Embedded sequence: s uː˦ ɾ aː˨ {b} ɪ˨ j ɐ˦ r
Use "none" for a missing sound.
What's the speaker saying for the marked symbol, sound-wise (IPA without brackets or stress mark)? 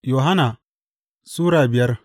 b